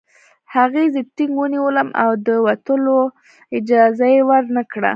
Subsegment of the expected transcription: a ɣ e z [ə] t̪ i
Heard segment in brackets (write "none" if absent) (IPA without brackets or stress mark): ə